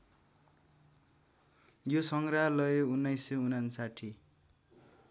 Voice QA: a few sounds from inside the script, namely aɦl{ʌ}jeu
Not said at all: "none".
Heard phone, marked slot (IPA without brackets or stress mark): ʌ